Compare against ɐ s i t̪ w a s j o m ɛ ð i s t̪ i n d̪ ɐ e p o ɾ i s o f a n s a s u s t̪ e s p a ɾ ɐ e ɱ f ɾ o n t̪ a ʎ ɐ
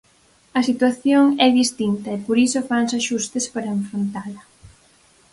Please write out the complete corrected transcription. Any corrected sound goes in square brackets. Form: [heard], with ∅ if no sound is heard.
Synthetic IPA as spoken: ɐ s i t̪ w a [θ] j o [ŋ] ɛ ð i s t̪ i n [t̪] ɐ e p o ɾ i s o f a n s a [ʃ] u s t̪ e s p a ɾ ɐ e ɱ f ɾ o n t̪ a [l] ɐ